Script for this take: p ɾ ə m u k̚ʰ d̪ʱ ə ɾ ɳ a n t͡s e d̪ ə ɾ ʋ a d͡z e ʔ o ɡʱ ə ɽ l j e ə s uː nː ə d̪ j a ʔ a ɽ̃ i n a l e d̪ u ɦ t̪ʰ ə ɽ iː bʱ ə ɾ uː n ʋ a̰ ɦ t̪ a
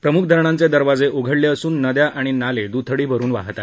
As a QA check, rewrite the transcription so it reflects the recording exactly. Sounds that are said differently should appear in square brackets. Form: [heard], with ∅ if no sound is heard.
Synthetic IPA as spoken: p ɾ ə m u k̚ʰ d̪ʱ ə ɾ ɳ a n t͡s e d̪ ə ɾ ʋ a d͡z e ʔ o ɡʱ ə ɽ l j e ə s uː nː ə d̪ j a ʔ a ɽ̃ i n a l e d̪ u [∅] t̪ʰ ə ɽ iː bʱ ə ɾ uː n ʋ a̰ ɦ t̪ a